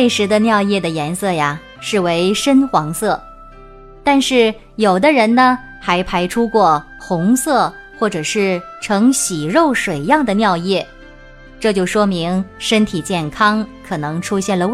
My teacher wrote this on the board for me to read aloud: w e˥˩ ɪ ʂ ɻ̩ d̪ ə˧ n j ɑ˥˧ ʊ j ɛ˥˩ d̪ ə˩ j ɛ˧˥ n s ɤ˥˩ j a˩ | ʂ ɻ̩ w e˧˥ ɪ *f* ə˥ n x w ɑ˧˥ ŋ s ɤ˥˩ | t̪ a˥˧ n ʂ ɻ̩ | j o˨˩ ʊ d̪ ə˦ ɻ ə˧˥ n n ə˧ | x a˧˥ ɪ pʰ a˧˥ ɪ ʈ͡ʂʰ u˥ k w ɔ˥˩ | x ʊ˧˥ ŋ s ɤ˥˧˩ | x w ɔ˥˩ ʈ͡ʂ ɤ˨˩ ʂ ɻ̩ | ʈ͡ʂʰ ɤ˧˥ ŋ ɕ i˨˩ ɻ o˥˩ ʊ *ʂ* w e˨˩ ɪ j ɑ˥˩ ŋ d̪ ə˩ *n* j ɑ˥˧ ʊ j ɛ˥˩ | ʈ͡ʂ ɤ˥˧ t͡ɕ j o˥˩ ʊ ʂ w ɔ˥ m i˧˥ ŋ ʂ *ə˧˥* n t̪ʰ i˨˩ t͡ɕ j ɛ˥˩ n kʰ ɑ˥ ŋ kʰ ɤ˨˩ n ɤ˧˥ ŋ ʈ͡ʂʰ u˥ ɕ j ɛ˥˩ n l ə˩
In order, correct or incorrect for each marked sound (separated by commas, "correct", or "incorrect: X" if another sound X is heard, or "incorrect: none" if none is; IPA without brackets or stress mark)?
incorrect: ʂ, correct, correct, incorrect: ə˥